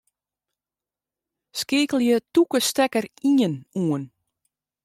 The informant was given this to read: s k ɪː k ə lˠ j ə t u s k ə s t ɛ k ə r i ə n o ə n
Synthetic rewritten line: s k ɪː k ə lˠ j ə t u k ə s t ɛ k ə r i ə n u ə n